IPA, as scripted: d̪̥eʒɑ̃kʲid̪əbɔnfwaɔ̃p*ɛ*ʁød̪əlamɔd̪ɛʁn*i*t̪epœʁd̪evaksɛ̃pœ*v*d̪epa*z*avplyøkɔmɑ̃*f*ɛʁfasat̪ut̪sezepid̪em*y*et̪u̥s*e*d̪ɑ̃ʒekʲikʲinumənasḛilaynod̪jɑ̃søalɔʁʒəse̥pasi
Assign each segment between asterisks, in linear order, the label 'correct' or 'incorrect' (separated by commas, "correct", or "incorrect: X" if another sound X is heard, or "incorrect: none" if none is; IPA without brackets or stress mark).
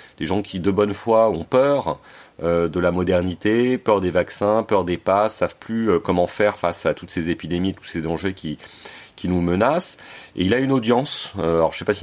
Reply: incorrect: œ, correct, incorrect: ʁ, incorrect: s, correct, incorrect: i, correct